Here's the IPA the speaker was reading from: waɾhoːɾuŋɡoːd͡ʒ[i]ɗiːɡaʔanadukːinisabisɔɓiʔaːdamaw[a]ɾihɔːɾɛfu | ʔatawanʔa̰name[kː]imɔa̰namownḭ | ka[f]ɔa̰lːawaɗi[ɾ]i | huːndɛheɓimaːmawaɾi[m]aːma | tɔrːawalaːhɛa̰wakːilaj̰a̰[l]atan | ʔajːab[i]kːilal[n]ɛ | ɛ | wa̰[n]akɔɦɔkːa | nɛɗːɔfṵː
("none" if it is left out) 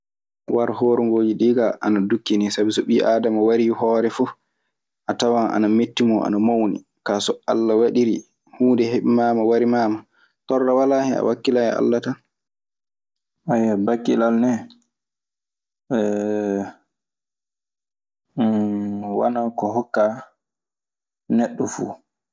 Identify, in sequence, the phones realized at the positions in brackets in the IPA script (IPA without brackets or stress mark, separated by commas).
i, a, tː, s, ɾ, m, lː, a, n, n